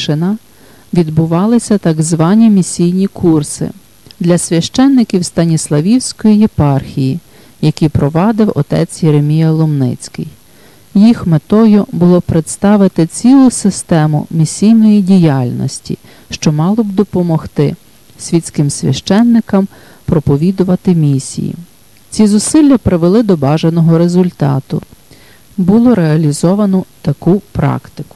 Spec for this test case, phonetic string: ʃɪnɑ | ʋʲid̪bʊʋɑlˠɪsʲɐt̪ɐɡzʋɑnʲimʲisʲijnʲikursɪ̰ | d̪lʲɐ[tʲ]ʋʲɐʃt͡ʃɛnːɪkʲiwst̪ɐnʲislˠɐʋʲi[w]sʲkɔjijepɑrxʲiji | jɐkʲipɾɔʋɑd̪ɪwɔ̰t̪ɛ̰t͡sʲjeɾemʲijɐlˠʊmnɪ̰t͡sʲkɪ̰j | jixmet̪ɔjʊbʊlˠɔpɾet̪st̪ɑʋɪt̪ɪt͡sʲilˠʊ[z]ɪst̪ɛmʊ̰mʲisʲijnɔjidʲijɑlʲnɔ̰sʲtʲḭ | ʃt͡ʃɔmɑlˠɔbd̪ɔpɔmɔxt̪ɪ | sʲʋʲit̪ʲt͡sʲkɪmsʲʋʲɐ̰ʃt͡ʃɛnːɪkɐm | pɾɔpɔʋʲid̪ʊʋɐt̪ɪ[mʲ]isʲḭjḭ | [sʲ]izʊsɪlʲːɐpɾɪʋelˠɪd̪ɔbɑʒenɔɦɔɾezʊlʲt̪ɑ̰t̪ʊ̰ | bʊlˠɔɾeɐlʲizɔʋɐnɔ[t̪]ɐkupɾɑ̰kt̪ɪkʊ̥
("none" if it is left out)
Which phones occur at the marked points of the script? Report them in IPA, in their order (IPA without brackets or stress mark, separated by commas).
sʲ, w, s, mʲ, t͡sʲ, t̪